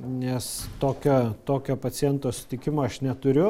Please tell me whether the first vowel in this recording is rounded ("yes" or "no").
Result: no